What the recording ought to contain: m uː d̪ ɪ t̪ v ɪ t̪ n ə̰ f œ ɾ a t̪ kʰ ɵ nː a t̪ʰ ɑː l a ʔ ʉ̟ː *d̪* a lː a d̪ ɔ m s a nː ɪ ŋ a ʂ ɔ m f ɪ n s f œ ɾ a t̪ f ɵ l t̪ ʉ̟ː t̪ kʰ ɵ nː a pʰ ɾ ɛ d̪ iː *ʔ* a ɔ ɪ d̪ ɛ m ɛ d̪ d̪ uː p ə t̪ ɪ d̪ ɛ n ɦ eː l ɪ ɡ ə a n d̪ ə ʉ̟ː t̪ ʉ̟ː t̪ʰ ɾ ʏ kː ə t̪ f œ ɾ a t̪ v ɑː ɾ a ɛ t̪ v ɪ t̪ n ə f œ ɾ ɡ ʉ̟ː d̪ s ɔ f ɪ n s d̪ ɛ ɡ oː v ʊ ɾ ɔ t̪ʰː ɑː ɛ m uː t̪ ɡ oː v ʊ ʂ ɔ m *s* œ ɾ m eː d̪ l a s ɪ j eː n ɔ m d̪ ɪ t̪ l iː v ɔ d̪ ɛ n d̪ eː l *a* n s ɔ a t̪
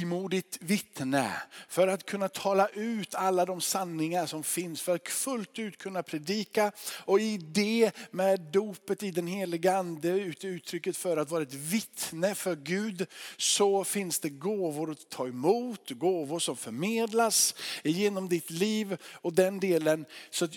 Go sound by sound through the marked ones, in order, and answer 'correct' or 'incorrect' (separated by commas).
incorrect, incorrect, incorrect, incorrect